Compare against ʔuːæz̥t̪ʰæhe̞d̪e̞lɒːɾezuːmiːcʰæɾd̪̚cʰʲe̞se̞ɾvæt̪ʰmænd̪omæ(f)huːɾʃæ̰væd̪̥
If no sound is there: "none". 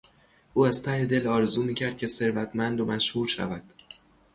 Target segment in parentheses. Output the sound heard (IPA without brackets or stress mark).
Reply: ʃ